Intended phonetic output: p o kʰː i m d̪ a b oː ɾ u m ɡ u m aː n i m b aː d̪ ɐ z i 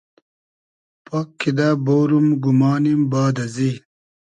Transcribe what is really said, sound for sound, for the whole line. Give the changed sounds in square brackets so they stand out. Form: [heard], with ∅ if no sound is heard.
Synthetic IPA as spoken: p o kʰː i [∅] d̪ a b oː ɾ u m ɡ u m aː n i m b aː d̪ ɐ z i